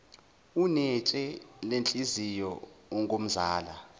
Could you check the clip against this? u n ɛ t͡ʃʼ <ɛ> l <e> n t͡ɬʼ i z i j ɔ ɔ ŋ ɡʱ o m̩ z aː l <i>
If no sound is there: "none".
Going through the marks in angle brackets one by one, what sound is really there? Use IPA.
ɛ, e, a

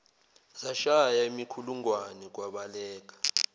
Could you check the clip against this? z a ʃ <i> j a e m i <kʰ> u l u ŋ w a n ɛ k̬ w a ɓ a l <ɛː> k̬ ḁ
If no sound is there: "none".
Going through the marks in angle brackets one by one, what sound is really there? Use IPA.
a, kʰ, ɛː

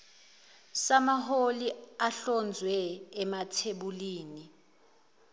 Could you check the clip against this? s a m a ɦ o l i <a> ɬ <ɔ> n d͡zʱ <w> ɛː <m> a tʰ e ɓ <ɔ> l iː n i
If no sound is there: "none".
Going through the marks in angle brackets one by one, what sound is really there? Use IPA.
a, ɔ, w, m, u

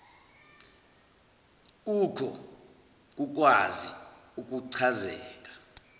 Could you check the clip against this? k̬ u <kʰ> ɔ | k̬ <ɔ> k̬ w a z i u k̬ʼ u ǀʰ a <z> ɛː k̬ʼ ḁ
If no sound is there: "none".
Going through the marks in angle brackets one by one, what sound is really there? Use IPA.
kʰ, u, z

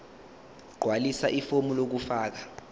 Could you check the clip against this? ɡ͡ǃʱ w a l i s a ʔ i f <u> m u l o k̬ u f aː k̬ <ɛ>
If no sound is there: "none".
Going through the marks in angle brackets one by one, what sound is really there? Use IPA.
o, a

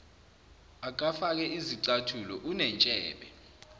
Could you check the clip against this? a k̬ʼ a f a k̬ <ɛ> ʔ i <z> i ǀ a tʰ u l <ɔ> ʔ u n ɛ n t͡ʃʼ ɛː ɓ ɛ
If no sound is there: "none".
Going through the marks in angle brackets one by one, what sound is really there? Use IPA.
ɛ, z, ɔ

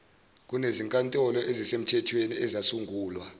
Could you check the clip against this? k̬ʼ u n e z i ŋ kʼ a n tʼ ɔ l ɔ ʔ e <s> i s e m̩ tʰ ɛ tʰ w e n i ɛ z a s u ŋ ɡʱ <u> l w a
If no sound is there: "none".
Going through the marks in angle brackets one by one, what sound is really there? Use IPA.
z, uː

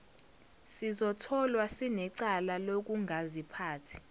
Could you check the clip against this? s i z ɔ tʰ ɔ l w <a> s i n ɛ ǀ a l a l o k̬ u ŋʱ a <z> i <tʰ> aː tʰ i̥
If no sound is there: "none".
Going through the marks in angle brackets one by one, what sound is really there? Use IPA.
a, z, pʰ

